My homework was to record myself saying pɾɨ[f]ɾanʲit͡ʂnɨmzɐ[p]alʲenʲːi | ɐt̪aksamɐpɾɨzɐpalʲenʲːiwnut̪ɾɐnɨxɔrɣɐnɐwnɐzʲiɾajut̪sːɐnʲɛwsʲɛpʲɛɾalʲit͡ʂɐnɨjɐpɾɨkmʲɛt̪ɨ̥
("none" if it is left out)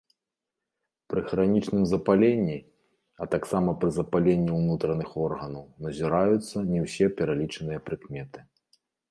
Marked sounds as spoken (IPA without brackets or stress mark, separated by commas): x, p